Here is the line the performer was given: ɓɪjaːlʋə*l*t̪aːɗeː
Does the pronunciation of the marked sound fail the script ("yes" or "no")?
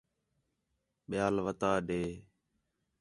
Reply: yes